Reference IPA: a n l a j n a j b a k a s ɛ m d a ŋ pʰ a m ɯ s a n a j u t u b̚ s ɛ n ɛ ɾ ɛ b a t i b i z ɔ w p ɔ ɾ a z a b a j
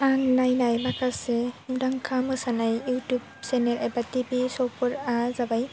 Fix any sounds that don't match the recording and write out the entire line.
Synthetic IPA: a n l a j n a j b a k a s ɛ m d a ŋ kʰ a m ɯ s a n a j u t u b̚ s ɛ n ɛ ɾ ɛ b a t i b i s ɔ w p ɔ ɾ a z a b a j